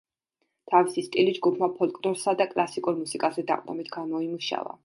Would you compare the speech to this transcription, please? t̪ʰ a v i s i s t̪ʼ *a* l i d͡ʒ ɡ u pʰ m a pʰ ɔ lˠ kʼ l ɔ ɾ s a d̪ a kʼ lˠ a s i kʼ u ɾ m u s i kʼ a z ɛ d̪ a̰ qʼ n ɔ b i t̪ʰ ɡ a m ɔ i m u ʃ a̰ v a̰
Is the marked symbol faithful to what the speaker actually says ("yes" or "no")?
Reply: no